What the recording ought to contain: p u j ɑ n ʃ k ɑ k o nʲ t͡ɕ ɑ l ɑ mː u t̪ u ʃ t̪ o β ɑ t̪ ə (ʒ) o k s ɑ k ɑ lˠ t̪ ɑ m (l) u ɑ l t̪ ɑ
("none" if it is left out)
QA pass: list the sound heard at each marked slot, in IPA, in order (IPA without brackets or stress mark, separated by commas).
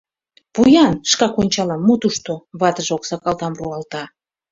ʒ, r